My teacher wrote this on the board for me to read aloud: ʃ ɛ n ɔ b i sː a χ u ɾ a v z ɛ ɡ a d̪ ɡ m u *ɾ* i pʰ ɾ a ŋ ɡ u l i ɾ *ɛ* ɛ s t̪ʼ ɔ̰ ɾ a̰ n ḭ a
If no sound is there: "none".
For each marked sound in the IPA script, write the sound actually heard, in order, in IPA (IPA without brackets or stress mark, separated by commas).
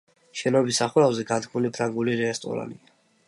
l, ɛ